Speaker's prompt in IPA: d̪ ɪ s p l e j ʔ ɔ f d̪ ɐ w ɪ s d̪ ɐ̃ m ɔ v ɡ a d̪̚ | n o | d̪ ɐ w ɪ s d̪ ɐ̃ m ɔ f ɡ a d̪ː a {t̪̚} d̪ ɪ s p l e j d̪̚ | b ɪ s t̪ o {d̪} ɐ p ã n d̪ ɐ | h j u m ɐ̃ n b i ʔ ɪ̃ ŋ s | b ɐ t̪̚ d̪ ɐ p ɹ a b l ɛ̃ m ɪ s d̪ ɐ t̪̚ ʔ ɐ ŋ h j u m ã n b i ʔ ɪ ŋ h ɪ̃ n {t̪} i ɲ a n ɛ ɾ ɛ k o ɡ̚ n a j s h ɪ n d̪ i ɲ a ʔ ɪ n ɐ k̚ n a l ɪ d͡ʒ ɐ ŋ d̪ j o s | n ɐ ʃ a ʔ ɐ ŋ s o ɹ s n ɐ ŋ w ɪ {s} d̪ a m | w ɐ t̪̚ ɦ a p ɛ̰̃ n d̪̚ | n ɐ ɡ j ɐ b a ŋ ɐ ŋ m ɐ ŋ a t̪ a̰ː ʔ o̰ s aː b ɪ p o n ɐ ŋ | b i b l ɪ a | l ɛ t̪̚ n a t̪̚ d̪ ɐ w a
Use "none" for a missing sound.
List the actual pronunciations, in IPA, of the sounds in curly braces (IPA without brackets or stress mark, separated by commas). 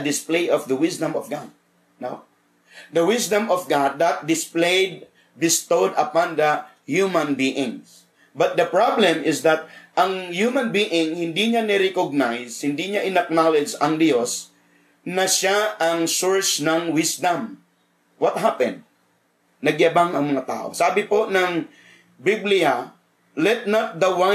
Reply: t̪̚, d̪, d̪, s